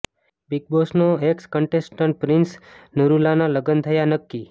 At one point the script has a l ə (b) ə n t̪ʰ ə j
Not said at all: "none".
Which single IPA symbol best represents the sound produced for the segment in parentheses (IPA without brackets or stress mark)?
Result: ɡ